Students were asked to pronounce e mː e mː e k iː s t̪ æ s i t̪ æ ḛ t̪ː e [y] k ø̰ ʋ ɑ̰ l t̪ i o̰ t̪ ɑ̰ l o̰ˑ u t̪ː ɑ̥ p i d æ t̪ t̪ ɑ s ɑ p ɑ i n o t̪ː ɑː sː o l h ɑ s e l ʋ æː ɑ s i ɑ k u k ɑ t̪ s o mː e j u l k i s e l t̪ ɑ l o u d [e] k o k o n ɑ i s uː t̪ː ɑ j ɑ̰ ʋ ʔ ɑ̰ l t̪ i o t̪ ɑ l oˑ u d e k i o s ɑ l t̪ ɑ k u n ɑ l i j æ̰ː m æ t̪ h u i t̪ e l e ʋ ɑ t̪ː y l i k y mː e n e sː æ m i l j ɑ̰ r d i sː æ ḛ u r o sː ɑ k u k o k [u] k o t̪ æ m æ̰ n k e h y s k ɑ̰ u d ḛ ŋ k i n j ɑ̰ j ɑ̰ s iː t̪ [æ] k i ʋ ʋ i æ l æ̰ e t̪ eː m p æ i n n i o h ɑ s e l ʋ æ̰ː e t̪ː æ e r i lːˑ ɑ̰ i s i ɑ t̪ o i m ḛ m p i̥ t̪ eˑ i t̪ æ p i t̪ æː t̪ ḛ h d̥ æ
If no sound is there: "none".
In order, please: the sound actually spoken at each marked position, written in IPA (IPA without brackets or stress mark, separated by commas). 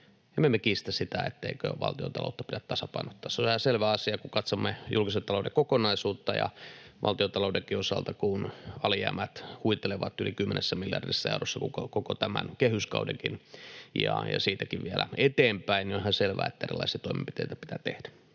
i, e, o, æ